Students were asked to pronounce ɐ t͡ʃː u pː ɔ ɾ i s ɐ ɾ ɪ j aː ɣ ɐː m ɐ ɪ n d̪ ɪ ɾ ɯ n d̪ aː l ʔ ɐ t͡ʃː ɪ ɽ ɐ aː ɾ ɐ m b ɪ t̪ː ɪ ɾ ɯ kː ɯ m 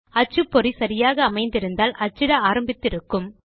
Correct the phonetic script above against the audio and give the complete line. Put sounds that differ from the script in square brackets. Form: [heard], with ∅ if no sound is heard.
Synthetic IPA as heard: ɐ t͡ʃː [ɯ] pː ɔ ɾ i s ɐ ɾ ɪ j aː ɣ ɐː m ɐ ɪ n d̪ ɪ ɾ ɯ n d̪ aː l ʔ ɐ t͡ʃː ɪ ɽ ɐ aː ɾ ɐ m b ɪ t̪ː ɪ ɾ ɯ kː ɯ m